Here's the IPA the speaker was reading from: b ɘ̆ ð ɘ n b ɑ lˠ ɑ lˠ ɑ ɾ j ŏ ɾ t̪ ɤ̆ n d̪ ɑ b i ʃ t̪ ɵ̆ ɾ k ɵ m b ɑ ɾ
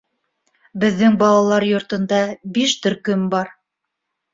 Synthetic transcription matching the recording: b ɘ̆ ðː ɘ ŋ b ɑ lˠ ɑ lˠ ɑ ɾ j ŏ ɾ t̪ ɤ̆ n d̪ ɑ b i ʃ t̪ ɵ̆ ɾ k ɵ m b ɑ ɾ